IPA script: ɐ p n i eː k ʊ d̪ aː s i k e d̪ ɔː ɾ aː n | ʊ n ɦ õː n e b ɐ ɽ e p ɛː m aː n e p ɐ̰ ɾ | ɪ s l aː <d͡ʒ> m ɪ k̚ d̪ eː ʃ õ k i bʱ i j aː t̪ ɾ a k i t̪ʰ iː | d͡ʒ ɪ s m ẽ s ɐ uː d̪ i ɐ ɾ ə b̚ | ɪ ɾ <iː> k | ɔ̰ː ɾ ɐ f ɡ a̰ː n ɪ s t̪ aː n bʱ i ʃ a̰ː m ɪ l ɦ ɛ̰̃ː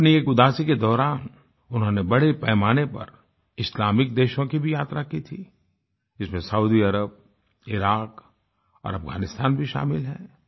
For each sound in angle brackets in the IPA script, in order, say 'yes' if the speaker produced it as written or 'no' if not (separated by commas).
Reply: no, no